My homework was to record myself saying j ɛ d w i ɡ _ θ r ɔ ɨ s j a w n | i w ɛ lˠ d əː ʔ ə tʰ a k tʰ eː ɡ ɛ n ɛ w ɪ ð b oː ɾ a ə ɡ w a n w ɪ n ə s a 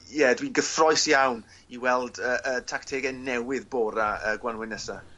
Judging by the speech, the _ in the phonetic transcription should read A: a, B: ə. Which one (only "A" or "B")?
B